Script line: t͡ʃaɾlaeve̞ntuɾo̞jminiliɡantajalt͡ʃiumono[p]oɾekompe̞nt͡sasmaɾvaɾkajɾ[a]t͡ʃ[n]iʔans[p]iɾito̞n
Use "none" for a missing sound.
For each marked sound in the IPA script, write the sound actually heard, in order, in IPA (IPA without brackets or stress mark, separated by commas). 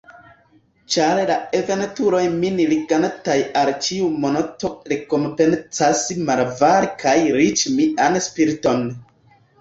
t, i, m, p